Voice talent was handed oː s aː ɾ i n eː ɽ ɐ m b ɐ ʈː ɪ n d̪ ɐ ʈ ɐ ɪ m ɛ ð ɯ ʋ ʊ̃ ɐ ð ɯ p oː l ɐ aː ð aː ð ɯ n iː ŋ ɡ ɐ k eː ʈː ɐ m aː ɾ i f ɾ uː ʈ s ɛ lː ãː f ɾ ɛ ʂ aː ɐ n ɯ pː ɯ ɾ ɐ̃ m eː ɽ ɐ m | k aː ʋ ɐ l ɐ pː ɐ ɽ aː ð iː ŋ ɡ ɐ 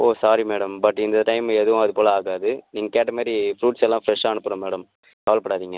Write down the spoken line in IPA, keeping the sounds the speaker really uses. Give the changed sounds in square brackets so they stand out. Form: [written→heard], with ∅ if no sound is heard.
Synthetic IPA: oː s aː ɾ i [n→m] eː ɽ ɐ m b ɐ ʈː ɪ n d̪ ɐ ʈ ɐ ɪ m ɛ ð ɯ ʋ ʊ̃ ɐ ð ɯ p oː l ɐ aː [ð→ɣ] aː ð ɯ n iː ŋ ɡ ɐ k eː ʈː ɐ m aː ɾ i f ɾ uː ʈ s ɛ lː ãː f ɾ ɛ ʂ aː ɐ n ɯ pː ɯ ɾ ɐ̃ m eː ɽ ɐ m | k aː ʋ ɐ l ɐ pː ɐ ɽ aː ð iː ŋ ɡ ɐ